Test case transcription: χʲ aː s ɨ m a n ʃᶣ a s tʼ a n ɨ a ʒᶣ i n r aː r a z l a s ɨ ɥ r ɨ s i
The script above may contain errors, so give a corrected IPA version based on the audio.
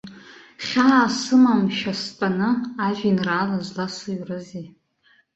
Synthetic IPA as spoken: χʲ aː s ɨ m a m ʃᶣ a s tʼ a n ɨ a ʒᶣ i n r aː l a z l a s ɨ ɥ r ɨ z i

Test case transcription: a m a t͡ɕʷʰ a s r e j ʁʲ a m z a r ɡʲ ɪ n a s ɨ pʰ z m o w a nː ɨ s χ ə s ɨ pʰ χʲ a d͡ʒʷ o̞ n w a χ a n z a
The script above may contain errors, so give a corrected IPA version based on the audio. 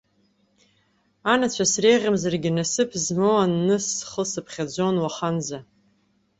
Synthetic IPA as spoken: a n a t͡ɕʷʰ a s r e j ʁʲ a m z a r ɡʲ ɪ n a s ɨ pʰ z m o w a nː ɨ s χ ə s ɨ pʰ χʲ a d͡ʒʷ o̞ n w a χ a n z a

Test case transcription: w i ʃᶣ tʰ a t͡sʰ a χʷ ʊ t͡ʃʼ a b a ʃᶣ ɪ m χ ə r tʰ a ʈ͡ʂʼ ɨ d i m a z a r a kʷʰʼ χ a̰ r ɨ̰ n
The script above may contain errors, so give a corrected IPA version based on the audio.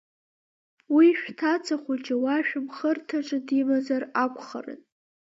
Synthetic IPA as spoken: w i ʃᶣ tʰ a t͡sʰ a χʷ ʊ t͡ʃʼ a w a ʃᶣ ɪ m χ ə r tʰ a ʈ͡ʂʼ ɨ d i m a z a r a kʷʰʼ χ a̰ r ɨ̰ n

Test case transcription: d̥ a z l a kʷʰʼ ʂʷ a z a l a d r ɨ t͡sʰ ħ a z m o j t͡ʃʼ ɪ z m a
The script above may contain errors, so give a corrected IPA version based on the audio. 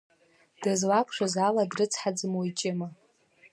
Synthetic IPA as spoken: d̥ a z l a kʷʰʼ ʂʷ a z a l a d r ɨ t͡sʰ ħ a d͡z m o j t͡ʃʼ ɪ m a

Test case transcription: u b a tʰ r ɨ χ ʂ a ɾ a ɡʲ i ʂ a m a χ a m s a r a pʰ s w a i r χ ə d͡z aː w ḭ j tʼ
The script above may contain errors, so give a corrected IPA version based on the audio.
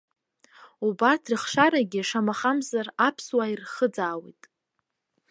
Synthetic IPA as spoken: u b a tʰ r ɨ χ ʂ a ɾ a ɡʲ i ʂ a m a χ a m z a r a pʰ s w a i r χ ə d͡z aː w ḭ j tʼ

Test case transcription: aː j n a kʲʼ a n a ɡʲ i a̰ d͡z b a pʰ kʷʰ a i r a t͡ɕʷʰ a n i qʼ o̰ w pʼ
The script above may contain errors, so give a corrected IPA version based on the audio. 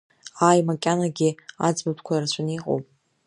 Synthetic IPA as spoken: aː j m a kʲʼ a n a ɡʲ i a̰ d͡z b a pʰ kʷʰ a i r a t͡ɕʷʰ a n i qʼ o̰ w pʼ

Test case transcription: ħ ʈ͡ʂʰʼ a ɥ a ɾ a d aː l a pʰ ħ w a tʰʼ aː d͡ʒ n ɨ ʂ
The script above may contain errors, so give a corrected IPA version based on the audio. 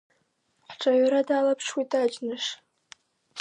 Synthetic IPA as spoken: ħ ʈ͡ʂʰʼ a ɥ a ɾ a d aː l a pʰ ʂ w i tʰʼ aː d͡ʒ n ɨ ʂ

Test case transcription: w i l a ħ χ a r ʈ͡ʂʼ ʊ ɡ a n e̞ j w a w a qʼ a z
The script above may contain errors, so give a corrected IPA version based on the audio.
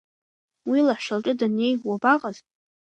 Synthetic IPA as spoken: w i l a ħ ʃ a l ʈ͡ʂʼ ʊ d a n e̞ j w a b a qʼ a z

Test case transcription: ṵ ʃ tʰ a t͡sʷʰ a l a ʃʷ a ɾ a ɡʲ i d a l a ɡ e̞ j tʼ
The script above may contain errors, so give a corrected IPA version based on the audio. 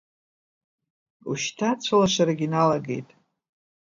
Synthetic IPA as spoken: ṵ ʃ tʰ a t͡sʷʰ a l a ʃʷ a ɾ a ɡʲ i n a l a ɡ e̞ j tʼ

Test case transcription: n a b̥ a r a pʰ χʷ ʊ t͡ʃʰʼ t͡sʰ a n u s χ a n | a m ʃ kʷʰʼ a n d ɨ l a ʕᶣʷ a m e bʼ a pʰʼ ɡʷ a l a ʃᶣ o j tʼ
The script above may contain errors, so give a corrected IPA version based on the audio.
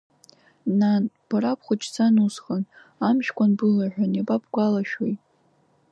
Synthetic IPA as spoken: n a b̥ a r a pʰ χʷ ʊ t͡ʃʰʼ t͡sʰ a n u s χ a n | a m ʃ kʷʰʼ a n b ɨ l a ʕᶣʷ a n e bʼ a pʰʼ ɡʷ a l a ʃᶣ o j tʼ

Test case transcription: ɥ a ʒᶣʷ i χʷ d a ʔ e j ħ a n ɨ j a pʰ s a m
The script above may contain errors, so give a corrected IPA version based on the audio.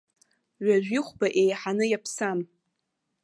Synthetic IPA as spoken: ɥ a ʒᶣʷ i χʷ b a ʔ e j ħ a n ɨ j a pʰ s a m

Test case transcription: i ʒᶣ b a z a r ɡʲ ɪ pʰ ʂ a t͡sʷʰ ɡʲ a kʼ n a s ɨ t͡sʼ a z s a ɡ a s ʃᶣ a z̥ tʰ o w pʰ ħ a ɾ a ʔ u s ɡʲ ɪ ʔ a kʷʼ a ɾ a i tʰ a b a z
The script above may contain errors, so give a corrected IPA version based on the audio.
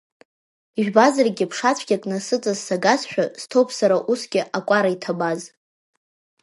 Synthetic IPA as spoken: i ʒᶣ b a z a r ɡʲ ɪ pʰ ʂ a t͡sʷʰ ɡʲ a kʼ n a s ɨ t͡sʼ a z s a ɡ a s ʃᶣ a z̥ tʰ o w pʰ s a ɾ a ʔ u s ɡʲ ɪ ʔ a kʷʼ a ɾ a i tʰ a b a z

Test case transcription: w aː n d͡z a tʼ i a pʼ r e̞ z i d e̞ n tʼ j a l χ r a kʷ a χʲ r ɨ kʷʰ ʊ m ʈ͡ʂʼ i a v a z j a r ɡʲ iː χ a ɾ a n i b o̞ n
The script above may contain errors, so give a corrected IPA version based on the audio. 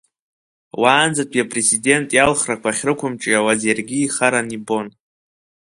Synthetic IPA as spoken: w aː n d͡z a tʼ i a pʼ r e̞ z i d e̞ n tʼ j a l χ r a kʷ a χʲ r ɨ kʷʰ ʊ m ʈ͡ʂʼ i a w a z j a r ɡʲ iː χ a ɾ a n i b o̞ n

